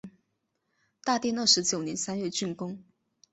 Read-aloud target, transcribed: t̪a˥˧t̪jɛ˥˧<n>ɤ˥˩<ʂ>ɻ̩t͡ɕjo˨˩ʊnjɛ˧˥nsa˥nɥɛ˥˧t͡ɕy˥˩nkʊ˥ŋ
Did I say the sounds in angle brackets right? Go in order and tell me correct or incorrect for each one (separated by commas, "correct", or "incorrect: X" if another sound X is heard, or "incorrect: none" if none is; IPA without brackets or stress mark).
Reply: correct, correct